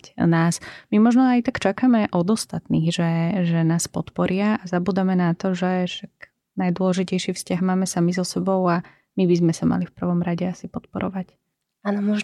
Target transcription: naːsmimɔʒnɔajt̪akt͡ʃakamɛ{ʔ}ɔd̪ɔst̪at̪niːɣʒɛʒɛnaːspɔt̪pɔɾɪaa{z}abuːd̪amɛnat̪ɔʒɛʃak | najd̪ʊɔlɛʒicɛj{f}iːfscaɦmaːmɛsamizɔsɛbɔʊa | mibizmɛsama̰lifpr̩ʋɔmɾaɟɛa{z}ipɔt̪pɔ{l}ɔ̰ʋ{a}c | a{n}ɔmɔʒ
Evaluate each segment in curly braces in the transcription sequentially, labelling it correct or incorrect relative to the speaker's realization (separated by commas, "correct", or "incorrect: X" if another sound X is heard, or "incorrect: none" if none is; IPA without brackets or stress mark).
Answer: correct, correct, incorrect: ʃ, incorrect: s, incorrect: ɾ, correct, correct